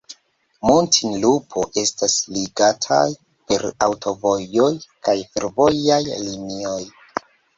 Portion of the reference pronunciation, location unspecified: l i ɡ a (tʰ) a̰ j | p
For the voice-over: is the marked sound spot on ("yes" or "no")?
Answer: yes